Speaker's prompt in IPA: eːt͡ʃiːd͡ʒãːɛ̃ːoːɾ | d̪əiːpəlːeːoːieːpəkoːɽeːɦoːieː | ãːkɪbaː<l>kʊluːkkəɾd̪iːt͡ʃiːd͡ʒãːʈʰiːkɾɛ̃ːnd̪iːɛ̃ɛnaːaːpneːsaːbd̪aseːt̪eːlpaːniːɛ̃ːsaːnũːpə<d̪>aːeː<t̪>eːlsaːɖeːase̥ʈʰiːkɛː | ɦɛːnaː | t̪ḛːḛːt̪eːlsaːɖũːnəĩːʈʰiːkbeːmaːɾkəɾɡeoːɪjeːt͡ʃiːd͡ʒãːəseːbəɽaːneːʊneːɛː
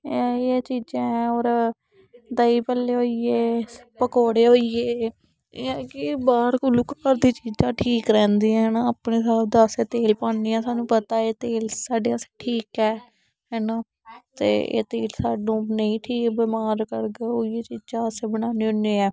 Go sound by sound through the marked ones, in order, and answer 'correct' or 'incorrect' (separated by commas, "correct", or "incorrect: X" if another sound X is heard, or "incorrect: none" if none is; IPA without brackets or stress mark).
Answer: incorrect: ɾ, incorrect: t̪, correct